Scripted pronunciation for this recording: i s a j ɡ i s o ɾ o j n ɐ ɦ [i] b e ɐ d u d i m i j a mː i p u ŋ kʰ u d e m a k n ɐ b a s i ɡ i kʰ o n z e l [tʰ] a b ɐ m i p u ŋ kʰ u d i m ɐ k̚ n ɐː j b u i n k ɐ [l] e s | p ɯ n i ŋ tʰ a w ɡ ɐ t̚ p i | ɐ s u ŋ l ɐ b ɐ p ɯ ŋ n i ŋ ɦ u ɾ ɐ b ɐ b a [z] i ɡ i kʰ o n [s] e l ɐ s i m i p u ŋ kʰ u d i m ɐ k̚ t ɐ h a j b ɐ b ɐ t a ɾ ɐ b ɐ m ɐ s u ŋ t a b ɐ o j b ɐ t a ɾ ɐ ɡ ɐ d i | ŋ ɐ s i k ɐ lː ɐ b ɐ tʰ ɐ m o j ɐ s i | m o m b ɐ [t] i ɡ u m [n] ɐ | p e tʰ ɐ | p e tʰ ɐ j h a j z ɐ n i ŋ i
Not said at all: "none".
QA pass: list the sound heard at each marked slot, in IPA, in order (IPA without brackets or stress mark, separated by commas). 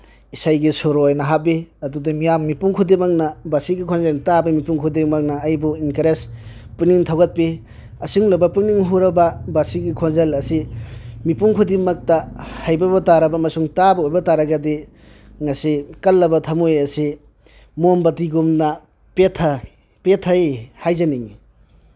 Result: a, t, ɾ, s, z, t, n